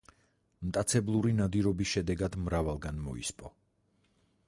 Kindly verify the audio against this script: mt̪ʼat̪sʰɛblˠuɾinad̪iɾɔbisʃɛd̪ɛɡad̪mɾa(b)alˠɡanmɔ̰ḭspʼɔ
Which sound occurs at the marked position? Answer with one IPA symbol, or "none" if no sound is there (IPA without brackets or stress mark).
v